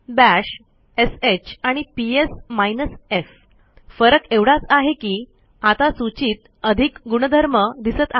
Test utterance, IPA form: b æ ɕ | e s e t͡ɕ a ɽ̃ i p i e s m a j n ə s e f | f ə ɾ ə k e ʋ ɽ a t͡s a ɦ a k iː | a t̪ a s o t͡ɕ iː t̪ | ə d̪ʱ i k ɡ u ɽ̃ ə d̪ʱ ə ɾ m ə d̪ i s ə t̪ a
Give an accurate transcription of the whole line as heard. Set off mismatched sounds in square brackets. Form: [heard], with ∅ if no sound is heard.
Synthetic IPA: b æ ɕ | e s e t͡ɕ a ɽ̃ i p i e s m a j n ə s e f | f ə ɾ ə k e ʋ ɽ a t͡s a ɦ [e] k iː | a t̪ a s [u] t͡ɕ iː t̪ | ə d̪ʱ i k ɡ u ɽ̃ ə d̪ʱ ə ɾ m ə d̪ i s ə t̪ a